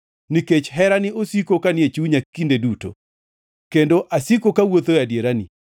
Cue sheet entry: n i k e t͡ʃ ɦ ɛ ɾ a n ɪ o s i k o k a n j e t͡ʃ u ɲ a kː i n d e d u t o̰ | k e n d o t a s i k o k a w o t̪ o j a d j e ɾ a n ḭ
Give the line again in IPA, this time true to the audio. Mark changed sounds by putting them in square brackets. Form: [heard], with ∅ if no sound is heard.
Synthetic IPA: n i k e t͡ʃ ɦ ɛ ɾ a n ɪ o s i k o k a n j e t͡ʃ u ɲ a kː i n d e d u t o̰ | k e n d o [ʔ] a s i k o k a w o t̪ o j a d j e ɾ a n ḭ